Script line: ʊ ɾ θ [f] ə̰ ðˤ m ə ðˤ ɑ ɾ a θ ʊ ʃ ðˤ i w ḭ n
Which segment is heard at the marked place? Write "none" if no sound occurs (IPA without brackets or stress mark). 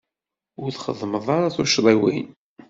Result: χ